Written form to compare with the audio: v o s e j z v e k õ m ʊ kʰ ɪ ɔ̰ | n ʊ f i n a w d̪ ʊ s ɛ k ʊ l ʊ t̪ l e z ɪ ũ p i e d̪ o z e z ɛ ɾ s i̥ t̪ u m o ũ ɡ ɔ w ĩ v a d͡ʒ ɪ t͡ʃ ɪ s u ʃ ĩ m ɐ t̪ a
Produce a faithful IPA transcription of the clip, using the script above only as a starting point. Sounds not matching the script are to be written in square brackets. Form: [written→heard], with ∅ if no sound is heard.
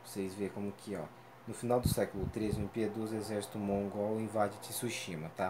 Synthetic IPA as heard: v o s e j z v e k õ m ʊ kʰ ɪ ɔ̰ | n ʊ f i n a w d̪ ʊ s ɛ k ʊ l ʊ t̪ [l→ɾ] e z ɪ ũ p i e d̪ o z e z ɛ ɾ s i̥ t̪ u m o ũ ɡ ɔ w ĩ v a d͡ʒ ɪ t͡ʃ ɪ s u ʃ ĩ m ɐ t̪ a